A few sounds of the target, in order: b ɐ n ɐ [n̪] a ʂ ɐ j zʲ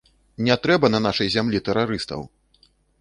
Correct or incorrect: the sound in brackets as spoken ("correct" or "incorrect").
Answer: correct